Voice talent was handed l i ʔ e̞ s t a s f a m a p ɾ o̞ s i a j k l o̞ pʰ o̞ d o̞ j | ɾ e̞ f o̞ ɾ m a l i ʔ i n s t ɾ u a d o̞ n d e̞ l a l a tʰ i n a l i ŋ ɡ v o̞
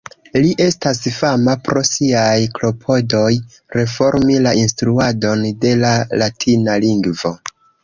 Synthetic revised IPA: l i ʔ e̞ s t a s f a m a p ɾ o̞ s i a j k l o̞ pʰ o̞ d o̞ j | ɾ e̞ f o̞ ɾ m i l a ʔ i n s t ɾ u a d o̞ n d e̞ l a l a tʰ i n a l i ŋ ɡ v o̞